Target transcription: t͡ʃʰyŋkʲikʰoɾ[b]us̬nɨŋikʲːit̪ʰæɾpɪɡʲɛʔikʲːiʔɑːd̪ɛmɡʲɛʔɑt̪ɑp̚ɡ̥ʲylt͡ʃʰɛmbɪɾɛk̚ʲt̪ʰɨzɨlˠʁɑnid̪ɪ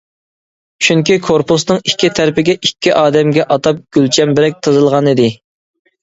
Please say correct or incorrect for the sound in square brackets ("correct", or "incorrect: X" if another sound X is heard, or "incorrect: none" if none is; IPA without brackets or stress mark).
incorrect: p